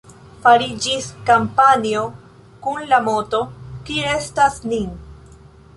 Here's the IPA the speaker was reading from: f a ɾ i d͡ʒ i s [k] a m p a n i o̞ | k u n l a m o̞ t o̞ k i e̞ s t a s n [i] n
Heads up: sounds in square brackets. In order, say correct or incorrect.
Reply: correct, correct

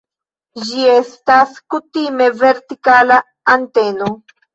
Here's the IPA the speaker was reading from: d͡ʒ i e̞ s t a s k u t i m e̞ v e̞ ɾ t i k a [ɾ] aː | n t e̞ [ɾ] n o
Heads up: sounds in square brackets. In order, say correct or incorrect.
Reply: incorrect, incorrect

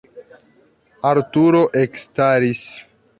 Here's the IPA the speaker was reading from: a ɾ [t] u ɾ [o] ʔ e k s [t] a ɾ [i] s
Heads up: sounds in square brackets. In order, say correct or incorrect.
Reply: correct, correct, correct, correct

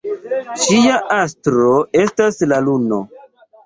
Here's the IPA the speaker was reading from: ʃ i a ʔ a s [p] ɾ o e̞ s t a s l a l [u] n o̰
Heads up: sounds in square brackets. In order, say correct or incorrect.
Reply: incorrect, correct

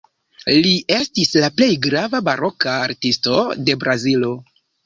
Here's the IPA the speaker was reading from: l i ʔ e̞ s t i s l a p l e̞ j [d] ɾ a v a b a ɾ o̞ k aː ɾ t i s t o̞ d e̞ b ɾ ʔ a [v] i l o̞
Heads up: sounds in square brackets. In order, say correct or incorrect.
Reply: incorrect, incorrect

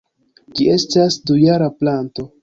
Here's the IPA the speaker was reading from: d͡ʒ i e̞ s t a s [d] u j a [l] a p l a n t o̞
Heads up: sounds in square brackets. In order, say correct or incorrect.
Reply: correct, incorrect

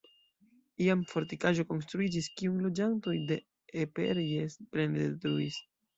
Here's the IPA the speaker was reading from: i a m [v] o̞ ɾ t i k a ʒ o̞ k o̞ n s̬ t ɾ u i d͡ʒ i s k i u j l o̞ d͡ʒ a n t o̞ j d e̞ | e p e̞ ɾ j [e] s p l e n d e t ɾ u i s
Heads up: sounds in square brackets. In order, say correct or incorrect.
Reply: incorrect, correct

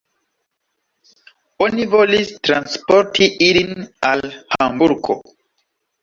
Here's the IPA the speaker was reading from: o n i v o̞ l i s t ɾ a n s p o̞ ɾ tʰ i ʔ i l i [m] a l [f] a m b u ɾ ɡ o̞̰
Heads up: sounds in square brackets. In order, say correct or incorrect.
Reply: incorrect, incorrect

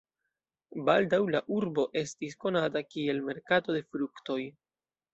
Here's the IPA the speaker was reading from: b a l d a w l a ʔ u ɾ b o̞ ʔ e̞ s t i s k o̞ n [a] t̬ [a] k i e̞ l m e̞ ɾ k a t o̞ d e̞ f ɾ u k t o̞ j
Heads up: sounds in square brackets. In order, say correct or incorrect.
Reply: correct, correct

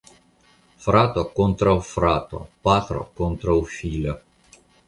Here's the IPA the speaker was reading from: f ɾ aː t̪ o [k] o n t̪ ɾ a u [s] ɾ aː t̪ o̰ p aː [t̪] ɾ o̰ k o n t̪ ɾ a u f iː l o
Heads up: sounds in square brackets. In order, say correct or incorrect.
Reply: correct, incorrect, correct

